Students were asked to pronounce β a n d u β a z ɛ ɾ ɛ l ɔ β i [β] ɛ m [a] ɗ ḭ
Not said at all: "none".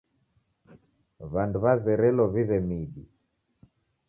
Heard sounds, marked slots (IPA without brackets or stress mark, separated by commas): β, i